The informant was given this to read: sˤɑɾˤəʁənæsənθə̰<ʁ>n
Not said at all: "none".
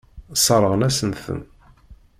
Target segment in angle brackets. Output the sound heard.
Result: none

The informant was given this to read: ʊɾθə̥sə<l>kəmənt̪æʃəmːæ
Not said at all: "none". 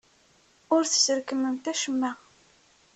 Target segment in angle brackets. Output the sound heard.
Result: ɾ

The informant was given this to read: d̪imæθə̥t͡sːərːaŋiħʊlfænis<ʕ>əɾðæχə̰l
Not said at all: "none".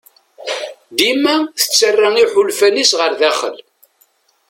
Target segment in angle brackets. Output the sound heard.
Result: ʁ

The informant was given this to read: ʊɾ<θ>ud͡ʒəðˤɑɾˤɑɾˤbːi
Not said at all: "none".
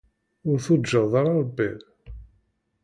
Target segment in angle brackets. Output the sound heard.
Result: θ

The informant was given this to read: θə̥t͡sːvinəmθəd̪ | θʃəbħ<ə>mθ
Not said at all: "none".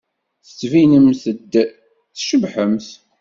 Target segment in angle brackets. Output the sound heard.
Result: ə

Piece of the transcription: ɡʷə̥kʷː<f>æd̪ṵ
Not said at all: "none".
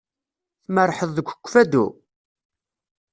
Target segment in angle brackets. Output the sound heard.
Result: f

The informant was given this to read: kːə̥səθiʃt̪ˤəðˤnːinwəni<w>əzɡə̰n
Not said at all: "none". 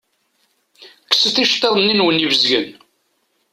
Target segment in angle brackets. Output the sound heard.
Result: v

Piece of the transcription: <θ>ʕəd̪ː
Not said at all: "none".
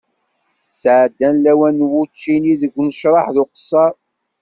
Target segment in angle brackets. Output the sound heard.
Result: s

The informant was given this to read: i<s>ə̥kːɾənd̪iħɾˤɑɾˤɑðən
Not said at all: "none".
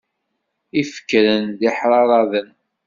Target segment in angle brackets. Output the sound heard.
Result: f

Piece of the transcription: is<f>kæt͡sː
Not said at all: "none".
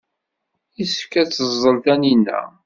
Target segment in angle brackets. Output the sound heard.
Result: f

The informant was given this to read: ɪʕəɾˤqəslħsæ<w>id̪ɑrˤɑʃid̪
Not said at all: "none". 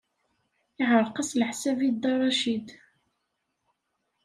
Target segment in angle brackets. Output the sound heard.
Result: v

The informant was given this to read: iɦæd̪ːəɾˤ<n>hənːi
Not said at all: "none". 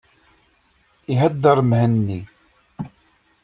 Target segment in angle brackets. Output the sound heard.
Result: m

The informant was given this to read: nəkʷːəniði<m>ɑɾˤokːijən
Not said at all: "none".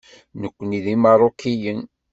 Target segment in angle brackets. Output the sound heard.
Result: m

